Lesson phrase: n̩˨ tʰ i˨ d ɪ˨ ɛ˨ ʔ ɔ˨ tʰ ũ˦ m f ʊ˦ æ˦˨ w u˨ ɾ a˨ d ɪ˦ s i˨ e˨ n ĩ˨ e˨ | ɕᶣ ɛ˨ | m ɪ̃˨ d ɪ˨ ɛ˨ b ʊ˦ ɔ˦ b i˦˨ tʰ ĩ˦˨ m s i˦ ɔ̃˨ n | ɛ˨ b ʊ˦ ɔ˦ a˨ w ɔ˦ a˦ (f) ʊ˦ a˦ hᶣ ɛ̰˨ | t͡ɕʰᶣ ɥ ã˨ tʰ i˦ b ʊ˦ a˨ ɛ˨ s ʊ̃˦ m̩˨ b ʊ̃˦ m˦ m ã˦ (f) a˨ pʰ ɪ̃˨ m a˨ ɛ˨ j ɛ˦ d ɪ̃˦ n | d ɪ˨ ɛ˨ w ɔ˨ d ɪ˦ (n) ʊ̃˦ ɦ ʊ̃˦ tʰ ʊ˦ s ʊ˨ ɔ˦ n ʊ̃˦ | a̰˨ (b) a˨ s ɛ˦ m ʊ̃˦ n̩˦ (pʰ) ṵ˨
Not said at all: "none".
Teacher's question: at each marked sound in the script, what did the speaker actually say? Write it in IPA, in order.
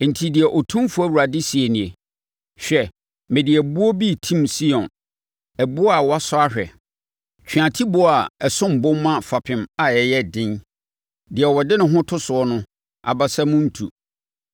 s, f, n, b, tʰ

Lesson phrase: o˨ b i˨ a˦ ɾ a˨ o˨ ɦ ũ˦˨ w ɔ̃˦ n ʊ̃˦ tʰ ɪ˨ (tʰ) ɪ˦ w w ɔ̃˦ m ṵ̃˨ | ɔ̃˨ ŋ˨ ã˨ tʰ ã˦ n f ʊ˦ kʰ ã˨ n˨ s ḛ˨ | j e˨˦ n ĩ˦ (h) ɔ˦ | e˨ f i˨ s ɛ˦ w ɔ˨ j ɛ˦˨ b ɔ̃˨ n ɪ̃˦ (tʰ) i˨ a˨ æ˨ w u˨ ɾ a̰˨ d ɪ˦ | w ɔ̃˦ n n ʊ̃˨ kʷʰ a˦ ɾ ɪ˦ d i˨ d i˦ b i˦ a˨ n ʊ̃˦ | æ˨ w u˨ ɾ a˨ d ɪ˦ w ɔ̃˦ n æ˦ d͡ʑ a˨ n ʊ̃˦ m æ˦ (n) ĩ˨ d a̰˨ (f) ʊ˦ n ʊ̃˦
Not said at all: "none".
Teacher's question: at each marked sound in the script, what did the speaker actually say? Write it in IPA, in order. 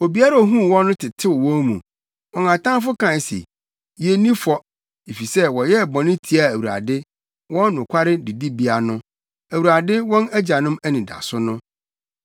tʰ, f, tʰ, n, s

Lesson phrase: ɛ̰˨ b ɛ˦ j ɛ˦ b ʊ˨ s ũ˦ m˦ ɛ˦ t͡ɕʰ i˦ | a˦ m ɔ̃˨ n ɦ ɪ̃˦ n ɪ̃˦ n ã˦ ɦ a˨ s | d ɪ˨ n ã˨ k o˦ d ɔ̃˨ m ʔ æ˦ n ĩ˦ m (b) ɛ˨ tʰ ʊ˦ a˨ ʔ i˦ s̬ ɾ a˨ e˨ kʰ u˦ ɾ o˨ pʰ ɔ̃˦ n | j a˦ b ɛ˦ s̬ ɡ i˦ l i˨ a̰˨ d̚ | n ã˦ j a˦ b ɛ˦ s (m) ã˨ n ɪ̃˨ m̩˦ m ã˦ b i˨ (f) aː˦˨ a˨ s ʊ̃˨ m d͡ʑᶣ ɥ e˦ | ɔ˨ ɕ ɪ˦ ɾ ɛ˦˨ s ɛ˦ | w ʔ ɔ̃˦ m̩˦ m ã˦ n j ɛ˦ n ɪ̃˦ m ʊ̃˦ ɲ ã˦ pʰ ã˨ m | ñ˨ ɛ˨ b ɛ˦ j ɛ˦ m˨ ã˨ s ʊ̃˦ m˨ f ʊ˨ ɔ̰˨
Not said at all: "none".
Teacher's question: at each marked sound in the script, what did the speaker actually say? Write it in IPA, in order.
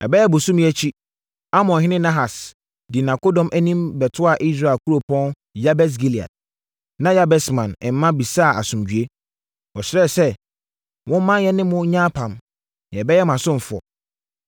b, m, s

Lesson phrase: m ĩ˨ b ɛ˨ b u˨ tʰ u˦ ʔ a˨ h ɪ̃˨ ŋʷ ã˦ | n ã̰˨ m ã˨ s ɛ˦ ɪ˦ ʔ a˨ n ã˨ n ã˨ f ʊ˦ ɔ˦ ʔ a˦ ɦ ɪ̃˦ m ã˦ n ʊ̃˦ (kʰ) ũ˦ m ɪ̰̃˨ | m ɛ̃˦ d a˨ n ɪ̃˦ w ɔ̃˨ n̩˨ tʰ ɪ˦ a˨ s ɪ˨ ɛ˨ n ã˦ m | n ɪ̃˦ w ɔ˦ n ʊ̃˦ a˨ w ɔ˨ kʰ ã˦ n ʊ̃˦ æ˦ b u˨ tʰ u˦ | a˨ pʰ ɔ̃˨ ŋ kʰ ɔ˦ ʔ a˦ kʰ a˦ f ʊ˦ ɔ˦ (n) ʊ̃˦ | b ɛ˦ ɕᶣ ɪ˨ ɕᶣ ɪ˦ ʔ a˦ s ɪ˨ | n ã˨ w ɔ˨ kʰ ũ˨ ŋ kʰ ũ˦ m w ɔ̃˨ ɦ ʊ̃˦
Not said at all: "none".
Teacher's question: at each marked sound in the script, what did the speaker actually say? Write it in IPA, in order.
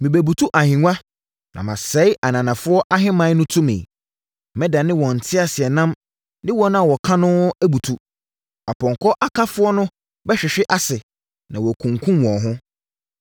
tʰ, n

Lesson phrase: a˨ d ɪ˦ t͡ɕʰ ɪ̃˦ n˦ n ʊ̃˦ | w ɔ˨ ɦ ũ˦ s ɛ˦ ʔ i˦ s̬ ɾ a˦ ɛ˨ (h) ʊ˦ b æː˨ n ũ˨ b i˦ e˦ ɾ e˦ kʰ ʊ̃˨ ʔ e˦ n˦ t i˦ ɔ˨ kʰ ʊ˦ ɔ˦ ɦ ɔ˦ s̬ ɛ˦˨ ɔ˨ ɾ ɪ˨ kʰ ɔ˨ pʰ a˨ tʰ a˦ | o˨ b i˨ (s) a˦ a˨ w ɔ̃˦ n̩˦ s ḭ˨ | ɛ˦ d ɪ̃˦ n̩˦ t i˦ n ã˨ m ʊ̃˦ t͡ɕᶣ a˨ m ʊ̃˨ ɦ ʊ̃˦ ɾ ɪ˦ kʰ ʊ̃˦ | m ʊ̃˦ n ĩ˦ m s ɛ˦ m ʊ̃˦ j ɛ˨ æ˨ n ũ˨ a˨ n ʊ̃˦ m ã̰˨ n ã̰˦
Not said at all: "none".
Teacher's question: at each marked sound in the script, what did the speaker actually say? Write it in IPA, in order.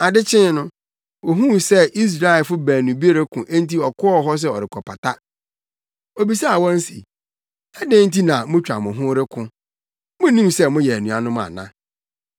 f, s

